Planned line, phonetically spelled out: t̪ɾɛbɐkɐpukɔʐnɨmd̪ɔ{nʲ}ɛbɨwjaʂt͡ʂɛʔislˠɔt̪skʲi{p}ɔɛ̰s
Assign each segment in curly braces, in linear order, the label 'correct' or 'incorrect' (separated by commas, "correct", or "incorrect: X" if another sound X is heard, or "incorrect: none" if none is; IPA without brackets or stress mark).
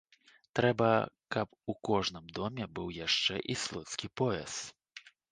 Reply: incorrect: mʲ, correct